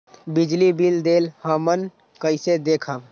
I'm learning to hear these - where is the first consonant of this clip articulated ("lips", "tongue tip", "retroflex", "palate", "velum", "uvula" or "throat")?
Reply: lips